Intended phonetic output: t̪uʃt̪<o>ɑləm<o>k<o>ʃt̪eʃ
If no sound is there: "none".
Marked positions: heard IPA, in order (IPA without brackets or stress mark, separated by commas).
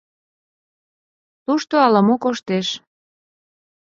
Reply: o, o, o